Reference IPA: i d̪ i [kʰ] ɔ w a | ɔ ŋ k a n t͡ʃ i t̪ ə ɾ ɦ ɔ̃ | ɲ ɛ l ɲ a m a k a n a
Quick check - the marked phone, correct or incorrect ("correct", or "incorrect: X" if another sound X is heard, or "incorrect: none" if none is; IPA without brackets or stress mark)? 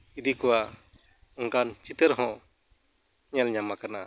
incorrect: k